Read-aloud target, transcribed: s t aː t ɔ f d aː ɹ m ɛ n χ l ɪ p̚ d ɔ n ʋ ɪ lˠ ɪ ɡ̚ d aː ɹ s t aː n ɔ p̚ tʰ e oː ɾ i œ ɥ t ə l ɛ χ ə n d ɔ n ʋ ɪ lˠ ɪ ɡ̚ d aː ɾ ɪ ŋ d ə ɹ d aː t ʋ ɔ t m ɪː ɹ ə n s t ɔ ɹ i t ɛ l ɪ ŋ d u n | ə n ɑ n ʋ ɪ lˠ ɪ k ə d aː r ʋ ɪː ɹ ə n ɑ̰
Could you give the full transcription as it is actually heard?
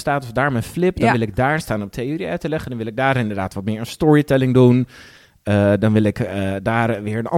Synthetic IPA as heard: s t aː t ɔ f d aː ɹ m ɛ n f l ɪ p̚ d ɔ n ʋ ɪ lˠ ɪ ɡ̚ d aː ɹ s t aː n ɔ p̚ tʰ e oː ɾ i œ ɥ t ə l ɛ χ ə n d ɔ n ʋ ɪ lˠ ɪ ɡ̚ d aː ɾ ɪ n d ə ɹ d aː t ʋ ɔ t m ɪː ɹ ə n s t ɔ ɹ i t ɛ l ɪ ŋ d u n | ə d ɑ n ʋ ɪ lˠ ɪ k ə d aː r ʋ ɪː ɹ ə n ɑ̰